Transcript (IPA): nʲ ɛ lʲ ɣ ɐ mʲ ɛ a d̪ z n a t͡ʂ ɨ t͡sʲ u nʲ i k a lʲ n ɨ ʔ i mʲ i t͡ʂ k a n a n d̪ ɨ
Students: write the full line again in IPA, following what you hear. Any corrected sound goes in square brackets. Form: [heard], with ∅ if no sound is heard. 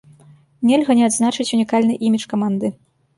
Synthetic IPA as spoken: nʲ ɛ lʲ ɣ ɐ [nʲ] ɛ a d̪ z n a t͡ʂ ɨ t͡sʲ u nʲ i k a lʲ n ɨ ʔ i mʲ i t͡ʂ k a [m] a n d̪ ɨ

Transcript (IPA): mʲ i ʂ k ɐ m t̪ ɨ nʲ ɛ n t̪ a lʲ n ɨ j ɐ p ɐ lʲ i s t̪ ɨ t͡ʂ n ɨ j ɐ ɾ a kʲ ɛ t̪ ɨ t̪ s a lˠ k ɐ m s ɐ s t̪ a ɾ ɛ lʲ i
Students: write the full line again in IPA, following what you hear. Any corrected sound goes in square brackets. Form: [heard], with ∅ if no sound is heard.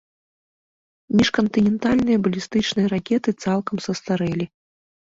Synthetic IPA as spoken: mʲ i ʂ k ɐ [n] t̪ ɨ nʲ ɛ n t̪ a lʲ n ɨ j ɐ [b] ɐ lʲ i s t̪ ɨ t͡ʂ n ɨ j ɐ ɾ a kʲ ɛ t̪ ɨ t̪ s a lˠ k ɐ m s ɐ s t̪ a ɾ ɛ lʲ i

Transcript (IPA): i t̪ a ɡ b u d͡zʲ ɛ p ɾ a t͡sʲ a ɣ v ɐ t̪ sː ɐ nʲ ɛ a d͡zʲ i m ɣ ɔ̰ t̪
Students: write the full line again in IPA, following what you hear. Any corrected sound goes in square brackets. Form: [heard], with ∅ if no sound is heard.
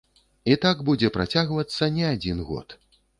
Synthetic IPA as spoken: i t̪ a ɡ b u d͡zʲ ɛ p ɾ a t͡sʲ a ɣ v ɐ t̪ sː ɐ nʲ ɛ a d͡zʲ i [n] ɣ ɔ̰ t̪

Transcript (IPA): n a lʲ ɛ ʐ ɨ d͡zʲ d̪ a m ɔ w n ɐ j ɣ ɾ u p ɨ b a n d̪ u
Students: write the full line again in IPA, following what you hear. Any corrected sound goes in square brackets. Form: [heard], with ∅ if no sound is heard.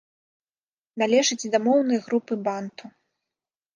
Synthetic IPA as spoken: n a lʲ ɛ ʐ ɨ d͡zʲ d̪ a m ɔ w n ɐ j ɣ ɾ u p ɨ b a n [t̪] u

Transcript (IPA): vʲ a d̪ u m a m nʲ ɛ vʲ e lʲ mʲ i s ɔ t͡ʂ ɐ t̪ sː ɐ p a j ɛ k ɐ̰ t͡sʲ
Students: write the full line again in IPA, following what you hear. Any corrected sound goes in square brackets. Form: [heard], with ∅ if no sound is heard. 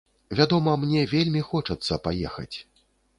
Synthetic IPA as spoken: vʲ a d̪ [ɔ] m [ɐ] m nʲ ɛ vʲ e lʲ mʲ i [x] ɔ t͡ʂ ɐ t̪ sː ɐ p a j ɛ [x] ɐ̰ t͡sʲ

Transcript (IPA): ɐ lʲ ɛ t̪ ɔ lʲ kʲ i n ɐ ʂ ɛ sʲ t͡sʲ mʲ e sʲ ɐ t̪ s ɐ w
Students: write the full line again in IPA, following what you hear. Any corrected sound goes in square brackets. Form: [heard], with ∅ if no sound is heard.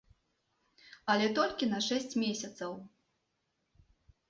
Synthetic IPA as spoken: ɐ lʲ ɛ t̪ ɔ lʲ kʲ i n ɐ ʂ ɛ sʲ t͡sʲ mʲ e sʲ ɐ t̪ s ɐ w

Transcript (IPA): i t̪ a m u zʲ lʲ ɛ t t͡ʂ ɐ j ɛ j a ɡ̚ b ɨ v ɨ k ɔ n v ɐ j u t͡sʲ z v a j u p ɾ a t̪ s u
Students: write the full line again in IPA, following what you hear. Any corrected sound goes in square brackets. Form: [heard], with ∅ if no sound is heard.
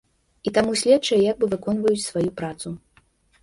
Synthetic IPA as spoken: i t̪ a m u [sʲ] lʲ ɛ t t͡ʂ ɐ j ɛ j a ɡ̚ b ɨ v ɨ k ɔ n v ɐ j u t͡sʲ [s] v a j u p ɾ a t̪ s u

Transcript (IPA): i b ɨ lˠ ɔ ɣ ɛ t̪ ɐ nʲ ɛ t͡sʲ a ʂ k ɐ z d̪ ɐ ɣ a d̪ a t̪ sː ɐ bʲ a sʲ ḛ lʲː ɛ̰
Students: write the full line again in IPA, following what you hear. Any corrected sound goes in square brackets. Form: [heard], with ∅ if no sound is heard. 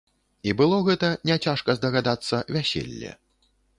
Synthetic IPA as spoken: i b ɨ lˠ ɔ ɣ ɛ t̪ ɐ nʲ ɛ t͡sʲ a ʂ k ɐ z d̪ ɐ ɣ a d̪ a t̪ sː ɐ [vʲ] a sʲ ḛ lʲː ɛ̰

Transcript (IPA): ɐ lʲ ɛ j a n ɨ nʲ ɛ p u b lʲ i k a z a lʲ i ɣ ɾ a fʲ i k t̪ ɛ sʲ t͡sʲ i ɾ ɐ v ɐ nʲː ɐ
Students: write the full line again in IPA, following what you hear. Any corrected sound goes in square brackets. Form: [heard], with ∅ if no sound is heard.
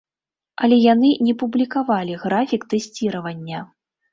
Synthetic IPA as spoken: ɐ lʲ ɛ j a n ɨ nʲ ɛ p u b lʲ i k a [v] a lʲ i ɣ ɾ a fʲ i k t̪ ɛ sʲ t͡sʲ i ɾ ɐ v ɐ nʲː ɐ

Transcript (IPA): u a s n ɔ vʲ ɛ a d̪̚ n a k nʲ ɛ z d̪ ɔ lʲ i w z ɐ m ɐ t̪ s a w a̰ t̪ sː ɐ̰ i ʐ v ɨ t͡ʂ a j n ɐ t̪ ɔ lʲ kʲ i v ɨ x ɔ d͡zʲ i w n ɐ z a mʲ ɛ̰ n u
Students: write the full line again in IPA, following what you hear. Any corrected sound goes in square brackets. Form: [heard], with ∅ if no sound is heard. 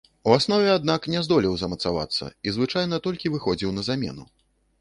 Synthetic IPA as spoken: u a s n ɔ vʲ ɛ a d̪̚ n a k nʲ ɛ z d̪ ɔ lʲ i w z ɐ m ɐ t̪ s a [v] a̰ t̪ sː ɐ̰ i [z] v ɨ t͡ʂ a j n ɐ t̪ ɔ lʲ kʲ i v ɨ x ɔ d͡zʲ i w n ɐ z a mʲ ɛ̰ n u

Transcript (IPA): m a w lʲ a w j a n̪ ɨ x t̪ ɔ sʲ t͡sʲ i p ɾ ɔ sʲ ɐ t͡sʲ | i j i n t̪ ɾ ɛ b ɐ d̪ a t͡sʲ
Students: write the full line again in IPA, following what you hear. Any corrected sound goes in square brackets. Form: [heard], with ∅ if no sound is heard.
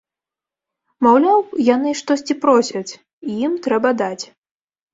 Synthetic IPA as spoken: m a w lʲ a w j a n̪ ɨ [ʂ] t̪ ɔ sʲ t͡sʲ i p ɾ ɔ sʲ ɐ t͡sʲ | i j i [m] t̪ ɾ ɛ b ɐ d̪ a t͡sʲ

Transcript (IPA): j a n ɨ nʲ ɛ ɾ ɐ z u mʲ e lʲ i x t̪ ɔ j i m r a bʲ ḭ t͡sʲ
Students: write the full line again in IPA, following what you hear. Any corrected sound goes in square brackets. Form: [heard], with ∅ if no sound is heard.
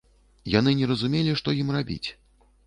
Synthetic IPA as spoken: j a n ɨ nʲ ɛ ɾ ɐ z u mʲ e lʲ i [ʂ] t̪ ɔ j i m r a bʲ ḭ t͡sʲ

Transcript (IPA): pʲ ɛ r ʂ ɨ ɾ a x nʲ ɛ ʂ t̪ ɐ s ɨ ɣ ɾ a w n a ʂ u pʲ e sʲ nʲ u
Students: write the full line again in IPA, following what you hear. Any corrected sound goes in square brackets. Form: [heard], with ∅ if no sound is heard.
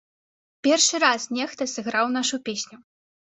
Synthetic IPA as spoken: pʲ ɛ r ʂ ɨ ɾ a [s] nʲ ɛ [x] t̪ ɐ s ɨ ɣ ɾ a w n a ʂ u pʲ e sʲ nʲ u

